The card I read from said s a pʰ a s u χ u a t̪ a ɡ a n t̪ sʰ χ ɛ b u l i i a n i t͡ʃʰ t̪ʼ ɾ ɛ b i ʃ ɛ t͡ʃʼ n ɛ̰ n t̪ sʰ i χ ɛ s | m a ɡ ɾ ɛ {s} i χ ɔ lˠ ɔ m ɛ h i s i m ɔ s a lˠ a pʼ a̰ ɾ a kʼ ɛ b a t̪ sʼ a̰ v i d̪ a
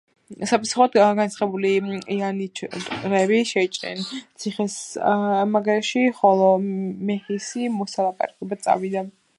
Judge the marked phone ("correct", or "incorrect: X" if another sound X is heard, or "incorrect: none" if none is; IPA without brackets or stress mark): incorrect: ʃ